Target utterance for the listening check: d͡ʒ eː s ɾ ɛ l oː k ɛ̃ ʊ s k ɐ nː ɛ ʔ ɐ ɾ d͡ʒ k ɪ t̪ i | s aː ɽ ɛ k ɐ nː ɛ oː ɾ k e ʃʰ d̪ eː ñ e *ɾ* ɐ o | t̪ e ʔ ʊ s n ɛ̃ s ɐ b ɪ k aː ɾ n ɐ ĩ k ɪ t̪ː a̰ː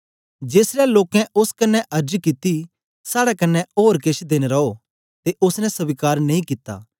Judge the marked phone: correct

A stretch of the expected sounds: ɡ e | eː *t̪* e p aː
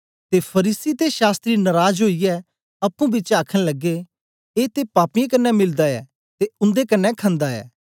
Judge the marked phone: correct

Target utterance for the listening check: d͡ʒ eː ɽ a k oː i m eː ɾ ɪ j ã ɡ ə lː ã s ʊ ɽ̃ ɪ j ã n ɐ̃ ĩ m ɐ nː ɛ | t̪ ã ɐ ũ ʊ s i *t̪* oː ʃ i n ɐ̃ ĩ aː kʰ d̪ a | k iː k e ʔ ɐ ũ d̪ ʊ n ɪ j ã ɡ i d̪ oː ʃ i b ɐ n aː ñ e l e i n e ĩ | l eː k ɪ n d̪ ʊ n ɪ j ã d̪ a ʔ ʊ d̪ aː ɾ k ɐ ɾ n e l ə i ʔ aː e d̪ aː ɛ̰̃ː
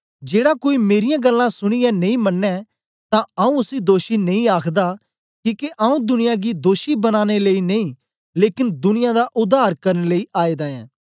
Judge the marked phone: incorrect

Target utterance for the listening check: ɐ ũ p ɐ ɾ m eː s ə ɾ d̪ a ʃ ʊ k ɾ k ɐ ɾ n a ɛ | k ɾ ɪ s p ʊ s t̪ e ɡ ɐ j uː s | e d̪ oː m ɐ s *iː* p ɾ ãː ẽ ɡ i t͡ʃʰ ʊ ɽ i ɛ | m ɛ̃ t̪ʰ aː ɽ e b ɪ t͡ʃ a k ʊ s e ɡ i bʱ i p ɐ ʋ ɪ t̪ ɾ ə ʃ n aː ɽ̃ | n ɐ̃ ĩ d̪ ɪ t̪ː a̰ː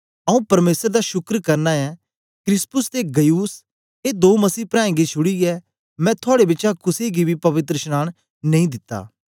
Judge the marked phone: correct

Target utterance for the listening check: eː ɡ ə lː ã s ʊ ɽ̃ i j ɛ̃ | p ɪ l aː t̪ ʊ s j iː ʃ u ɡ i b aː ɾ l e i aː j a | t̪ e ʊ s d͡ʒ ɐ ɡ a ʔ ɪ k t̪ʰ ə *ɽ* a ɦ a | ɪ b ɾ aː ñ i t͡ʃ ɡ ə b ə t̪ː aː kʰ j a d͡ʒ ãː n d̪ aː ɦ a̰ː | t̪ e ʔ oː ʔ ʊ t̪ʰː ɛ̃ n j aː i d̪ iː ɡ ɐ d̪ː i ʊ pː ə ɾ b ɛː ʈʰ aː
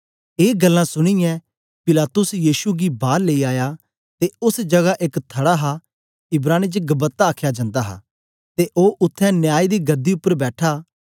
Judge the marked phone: correct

